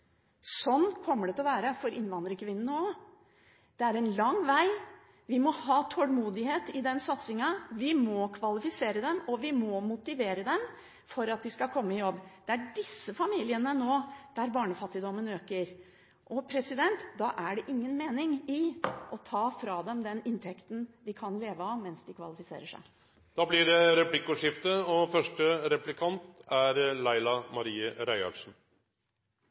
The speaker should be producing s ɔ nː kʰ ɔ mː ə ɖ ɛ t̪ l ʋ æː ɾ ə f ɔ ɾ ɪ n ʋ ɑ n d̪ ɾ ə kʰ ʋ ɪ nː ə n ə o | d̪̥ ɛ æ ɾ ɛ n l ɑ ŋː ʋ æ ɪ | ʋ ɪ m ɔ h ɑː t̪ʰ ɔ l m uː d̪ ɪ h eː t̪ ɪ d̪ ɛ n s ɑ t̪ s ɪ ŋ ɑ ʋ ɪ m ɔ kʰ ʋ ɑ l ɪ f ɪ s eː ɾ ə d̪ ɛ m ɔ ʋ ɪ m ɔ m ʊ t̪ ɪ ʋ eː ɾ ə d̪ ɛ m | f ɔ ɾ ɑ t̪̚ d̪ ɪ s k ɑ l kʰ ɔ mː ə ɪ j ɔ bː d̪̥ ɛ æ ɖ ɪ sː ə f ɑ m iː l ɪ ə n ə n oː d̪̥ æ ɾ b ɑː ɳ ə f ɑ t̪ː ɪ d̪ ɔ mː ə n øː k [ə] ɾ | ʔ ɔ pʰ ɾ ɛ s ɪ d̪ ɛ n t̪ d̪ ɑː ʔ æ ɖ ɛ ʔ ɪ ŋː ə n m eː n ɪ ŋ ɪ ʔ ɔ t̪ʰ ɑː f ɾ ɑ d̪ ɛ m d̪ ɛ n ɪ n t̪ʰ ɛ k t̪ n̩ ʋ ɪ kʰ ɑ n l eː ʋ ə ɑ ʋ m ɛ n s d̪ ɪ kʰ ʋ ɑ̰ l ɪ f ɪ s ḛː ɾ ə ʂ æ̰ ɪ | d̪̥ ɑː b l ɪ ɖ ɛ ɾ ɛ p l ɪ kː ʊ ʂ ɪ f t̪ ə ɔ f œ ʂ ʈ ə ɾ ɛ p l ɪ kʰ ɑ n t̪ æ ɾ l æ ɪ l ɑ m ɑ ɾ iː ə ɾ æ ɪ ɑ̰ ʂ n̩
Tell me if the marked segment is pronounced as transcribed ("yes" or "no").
yes